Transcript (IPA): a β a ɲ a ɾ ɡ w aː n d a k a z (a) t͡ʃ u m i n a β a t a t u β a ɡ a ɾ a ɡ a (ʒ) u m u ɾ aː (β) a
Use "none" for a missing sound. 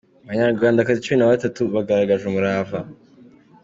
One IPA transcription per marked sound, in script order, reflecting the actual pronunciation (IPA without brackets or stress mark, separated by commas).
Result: i, ʒ, v